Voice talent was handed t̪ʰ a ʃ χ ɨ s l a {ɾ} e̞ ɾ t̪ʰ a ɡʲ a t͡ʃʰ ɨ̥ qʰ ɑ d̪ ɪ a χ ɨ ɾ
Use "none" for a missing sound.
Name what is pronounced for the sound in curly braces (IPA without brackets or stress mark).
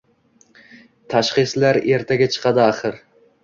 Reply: ɾ